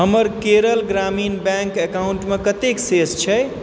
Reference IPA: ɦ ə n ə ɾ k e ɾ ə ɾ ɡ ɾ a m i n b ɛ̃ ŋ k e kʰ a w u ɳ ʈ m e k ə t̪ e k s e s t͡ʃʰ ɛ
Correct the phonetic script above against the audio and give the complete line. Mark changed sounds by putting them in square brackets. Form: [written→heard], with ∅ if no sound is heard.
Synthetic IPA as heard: ɦ ə [n→m] ə ɾ k e ɾ ə [ɾ→l] ɡ ɾ a m i n b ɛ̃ ŋ k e [kʰ→k] a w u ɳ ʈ m e k ə t̪ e k s e s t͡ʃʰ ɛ